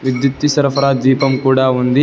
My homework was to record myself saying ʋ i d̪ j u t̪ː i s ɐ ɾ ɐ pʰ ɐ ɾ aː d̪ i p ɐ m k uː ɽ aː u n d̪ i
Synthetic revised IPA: ʋ i d̪ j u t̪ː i s ɐ ɾ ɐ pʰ ɐ ɾ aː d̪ iː p ɐ m k uː ɽ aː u n d̪ i